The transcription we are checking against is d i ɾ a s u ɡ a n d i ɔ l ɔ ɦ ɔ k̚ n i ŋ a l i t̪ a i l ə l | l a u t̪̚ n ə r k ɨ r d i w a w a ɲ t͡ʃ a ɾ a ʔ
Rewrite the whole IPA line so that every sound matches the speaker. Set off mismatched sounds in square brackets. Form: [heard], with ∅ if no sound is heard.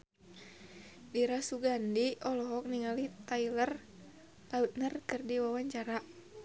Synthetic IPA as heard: d i ɾ a s u ɡ a n d i ɔ l ɔ ɦ ɔ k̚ n i ŋ a l i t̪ a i l ə [r] | l a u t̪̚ n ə r k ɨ r d i w a w a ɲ t͡ʃ a ɾ a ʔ